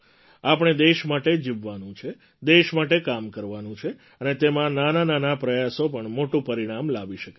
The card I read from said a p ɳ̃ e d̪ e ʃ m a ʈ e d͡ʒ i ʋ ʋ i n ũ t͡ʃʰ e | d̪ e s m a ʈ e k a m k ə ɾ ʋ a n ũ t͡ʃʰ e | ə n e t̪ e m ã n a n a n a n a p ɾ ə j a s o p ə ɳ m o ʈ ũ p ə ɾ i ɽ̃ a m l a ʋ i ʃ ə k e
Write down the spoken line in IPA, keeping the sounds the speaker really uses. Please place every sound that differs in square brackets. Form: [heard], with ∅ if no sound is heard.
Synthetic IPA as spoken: a p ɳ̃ e d̪ e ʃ m a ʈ e d͡ʒ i ʋ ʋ [a] n ũ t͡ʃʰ e | d̪ e [ʃ] m a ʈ e k a m k ə ɾ ʋ a n ũ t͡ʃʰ e | ə n e t̪ e m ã n a n a n a n a p ɾ ə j a s o p ə ɳ m o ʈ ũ p ə ɾ i ɽ̃ a m l a ʋ i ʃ ə k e